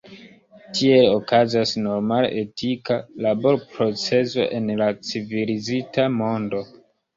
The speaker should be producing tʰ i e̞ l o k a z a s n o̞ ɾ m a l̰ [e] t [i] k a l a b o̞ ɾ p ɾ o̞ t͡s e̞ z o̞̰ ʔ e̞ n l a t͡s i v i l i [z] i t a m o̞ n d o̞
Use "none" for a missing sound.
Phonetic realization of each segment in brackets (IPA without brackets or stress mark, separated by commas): e, i, z